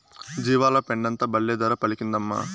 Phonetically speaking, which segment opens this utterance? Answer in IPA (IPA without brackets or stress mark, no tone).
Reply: d͡ʒ